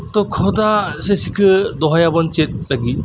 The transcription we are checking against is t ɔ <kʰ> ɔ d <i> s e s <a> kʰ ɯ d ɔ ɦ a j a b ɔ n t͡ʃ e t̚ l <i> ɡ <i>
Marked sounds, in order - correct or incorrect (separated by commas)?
correct, incorrect, incorrect, incorrect, correct